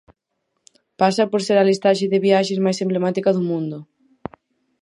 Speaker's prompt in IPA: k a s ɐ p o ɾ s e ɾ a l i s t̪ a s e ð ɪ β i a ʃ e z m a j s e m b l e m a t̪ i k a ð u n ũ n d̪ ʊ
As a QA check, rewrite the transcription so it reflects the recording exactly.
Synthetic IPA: p a s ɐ p o ɾ s e ɾ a l i s t̪ a ʃ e ð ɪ β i a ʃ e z m a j s e m b l e m a t̪ i k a ð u m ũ n d̪ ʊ